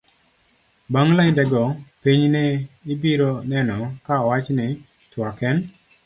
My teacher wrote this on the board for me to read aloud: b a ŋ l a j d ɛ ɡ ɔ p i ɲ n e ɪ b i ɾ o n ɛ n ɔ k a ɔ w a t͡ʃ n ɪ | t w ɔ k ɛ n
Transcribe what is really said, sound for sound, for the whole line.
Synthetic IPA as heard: b a ŋ l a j d ɛ ɡ ɔ p i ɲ n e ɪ b i ɾ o n ɛ n ɔ k a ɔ w a t͡ʃ n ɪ | t w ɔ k ɛ n